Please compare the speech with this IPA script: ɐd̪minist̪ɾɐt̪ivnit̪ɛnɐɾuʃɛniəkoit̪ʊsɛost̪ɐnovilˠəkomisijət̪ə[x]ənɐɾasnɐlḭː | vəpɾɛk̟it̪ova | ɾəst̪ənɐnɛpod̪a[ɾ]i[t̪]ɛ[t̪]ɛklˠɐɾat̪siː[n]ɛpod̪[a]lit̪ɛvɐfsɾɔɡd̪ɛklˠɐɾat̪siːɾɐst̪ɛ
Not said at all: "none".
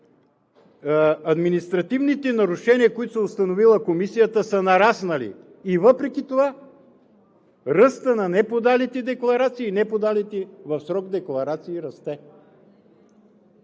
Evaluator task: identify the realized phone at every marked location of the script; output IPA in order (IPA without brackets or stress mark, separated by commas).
s, l, t̪, d̪, n, a